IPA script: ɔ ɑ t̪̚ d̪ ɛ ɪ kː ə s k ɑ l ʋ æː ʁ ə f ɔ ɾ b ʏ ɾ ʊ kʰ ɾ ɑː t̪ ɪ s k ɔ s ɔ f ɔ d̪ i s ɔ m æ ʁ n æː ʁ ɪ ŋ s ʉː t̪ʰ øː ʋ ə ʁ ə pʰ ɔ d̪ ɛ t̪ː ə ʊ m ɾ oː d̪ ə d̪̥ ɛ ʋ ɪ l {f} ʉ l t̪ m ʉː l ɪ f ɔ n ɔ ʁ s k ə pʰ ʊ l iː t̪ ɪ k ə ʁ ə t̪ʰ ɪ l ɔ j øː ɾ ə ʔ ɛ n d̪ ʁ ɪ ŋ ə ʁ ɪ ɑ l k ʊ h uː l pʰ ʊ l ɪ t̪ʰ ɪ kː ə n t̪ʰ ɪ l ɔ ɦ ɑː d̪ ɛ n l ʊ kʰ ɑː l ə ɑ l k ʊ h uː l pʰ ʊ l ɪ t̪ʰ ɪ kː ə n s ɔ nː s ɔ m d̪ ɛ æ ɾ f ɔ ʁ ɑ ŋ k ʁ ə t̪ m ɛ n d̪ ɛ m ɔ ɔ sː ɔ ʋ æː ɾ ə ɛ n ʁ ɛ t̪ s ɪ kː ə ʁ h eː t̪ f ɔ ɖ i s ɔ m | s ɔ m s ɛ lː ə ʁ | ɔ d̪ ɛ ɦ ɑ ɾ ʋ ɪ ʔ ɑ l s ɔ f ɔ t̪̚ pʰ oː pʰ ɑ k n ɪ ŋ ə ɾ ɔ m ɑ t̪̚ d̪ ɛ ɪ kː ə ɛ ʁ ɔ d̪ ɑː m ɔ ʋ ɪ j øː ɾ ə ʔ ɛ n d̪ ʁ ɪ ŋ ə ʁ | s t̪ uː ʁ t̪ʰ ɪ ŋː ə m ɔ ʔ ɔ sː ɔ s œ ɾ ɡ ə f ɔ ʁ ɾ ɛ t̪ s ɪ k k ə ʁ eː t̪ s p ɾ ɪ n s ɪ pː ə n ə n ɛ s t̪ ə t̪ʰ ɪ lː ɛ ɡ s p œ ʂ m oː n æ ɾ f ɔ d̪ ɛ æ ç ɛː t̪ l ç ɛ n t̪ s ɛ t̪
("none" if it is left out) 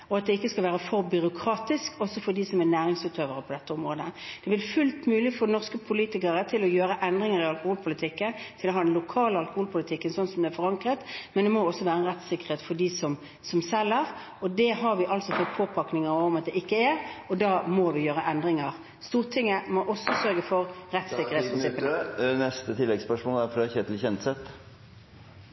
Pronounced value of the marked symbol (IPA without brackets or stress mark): f